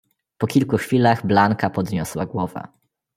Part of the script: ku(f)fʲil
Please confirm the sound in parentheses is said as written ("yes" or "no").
no